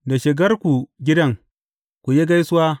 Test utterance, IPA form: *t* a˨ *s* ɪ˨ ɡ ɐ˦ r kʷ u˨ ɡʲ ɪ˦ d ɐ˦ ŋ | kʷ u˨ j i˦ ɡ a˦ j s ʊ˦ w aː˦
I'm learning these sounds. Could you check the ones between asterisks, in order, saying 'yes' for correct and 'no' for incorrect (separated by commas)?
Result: no, no